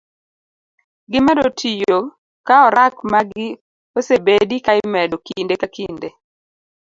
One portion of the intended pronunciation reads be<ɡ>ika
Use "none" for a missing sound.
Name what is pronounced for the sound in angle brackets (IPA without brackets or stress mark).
d